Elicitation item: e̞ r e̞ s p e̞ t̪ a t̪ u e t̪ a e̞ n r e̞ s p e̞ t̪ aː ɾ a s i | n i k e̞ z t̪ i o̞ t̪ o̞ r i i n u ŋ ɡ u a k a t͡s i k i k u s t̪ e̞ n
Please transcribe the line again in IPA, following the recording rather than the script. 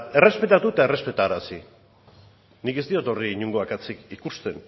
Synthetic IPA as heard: e̞ r e̞ s p e̞ t̪ a t̪ u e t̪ a e̞ r e̞ s p e̞ t̪ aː ɾ a s i | n i k e̞ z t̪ i o̞ t̪ o̞ r i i ɲ u ŋ ɡ o a k a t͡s i k i k u s t̪ e̞ n